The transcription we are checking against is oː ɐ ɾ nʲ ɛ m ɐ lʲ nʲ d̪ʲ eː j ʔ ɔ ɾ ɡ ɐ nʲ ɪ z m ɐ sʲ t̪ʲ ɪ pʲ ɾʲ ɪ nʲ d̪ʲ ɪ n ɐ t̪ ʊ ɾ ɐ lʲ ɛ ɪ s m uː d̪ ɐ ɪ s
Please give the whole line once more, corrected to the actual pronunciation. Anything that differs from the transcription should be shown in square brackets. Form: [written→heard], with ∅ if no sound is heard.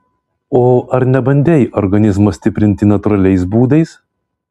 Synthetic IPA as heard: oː ɐ ɾ nʲ ɛ [m→b] ɐ [lʲ→∅] nʲ d̪ʲ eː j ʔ ɔ ɾ ɡ ɐ nʲ ɪ z m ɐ sʲ t̪ʲ ɪ pʲ ɾʲ ɪ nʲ [d̪ʲ→t̪ʲ] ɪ n ɐ t̪ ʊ ɾ ɐ lʲ ɛ ɪ s [m→b] uː d̪ ɐ ɪ s